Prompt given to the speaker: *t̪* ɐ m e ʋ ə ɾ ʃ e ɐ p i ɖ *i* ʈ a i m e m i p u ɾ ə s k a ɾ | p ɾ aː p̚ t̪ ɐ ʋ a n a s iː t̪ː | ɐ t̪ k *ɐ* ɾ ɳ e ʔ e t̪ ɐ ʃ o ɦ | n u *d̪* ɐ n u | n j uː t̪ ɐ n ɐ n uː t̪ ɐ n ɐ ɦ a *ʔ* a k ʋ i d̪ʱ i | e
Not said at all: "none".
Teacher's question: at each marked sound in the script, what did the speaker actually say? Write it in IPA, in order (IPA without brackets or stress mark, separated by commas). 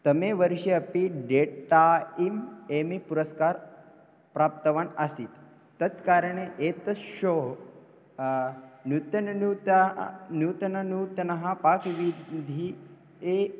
t̪, e, a, t̪, p